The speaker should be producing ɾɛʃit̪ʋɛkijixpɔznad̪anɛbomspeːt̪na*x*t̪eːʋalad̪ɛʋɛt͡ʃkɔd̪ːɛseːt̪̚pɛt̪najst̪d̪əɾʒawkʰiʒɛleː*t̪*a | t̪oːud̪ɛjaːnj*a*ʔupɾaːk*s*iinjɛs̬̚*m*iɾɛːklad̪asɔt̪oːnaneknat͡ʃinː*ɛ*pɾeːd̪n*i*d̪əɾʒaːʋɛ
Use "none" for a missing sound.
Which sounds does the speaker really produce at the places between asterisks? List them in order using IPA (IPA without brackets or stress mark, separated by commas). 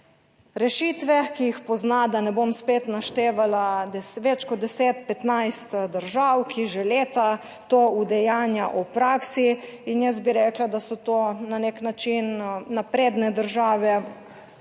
ʃ, t̪, a, s, b, a, ɛ